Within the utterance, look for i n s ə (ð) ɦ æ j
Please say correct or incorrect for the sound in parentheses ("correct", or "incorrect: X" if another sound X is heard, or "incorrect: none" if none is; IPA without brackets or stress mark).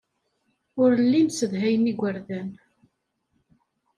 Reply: correct